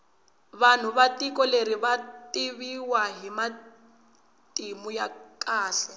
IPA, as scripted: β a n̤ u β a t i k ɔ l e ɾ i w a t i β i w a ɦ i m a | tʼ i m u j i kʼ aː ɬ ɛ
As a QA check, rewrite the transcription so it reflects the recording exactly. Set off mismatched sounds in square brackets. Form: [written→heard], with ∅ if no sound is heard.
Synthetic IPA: β a n̤ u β a t i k ɔ l e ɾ i [w→β] a t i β i w a ɦ i m a | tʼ i m u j [i→a] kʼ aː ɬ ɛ